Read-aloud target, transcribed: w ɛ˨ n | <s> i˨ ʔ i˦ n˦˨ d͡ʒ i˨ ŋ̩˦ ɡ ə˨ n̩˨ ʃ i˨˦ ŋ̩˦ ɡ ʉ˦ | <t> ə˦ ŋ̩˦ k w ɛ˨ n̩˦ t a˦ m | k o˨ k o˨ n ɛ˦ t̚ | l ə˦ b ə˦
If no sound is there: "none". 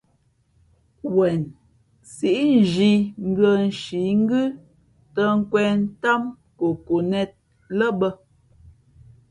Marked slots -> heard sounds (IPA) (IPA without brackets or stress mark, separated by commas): s, t